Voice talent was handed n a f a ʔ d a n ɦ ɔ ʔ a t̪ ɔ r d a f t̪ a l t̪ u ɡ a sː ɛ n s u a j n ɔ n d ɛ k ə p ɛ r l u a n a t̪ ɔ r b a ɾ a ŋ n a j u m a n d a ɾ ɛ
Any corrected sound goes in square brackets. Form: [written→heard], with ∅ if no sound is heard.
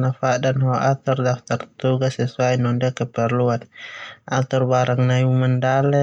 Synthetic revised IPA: n a f a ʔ d a n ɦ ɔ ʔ a t̪ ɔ r d a f t̪ a [l→r] t̪ u ɡ a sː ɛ [n→∅] s u a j n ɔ n d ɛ k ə p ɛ r l u a n a t̪ ɔ r b a ɾ a ŋ n a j u m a n d a [ɾ→l] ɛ